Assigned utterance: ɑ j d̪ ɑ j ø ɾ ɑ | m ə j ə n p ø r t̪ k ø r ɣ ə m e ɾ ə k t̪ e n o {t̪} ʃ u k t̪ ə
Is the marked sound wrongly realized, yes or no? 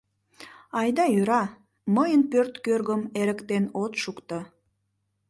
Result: no